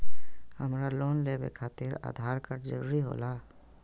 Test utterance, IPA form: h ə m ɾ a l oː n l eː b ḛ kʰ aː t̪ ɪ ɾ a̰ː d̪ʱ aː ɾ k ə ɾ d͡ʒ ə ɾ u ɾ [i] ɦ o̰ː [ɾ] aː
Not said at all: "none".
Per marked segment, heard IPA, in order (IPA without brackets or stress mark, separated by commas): i, l